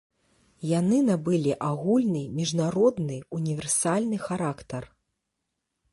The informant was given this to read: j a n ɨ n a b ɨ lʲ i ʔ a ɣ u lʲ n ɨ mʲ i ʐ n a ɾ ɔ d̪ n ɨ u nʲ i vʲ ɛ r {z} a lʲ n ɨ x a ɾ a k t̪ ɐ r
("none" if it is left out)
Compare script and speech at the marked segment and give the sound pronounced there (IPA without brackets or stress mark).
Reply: s